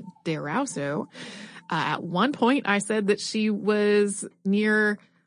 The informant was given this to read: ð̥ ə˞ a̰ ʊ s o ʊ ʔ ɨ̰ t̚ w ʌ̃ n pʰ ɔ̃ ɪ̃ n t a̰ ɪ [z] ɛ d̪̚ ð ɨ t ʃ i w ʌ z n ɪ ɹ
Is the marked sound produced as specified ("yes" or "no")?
no